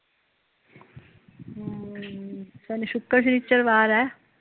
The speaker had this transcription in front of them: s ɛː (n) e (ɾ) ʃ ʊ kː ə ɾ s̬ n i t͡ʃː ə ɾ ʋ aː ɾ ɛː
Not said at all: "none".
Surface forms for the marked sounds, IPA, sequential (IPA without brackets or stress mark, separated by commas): n, none